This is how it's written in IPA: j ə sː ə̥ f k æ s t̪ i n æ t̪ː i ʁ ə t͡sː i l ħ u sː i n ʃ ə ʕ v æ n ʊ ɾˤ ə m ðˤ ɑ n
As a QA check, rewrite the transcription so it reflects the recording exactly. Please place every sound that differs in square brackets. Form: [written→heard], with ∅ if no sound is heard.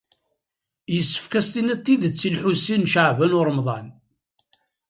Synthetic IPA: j ə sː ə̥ f k æ s t̪ i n æ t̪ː i [ʁ→ð] ə t͡sː i l ħ u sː i n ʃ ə ʕ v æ n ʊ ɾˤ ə m ðˤ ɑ n